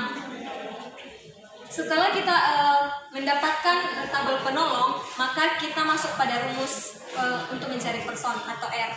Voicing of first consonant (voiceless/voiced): voiceless